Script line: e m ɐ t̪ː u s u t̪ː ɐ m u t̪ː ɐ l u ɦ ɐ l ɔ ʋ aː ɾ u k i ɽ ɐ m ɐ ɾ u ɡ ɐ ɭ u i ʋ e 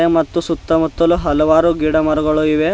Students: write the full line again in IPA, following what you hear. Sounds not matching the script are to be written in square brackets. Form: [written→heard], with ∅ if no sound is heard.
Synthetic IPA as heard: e m ɐ t̪ː u s u t̪ː ɐ m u t̪ː ɐ l u ɦ ɐ l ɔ ʋ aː ɾ u [k→ɡ] i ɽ ɐ m ɐ ɾ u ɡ ɐ ɭ u i ʋ e